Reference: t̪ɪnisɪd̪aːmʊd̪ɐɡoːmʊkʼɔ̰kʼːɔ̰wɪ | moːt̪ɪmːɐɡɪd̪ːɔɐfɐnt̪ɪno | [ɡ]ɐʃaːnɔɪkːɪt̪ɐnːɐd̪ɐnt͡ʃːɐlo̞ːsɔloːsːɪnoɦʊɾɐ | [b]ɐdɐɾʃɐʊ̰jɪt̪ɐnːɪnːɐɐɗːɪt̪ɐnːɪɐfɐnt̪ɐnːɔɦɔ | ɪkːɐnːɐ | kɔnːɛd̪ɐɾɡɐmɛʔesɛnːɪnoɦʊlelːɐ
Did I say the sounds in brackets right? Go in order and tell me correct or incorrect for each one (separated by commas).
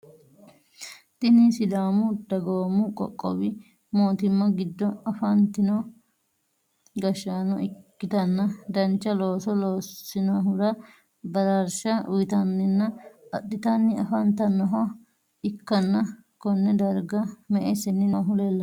correct, correct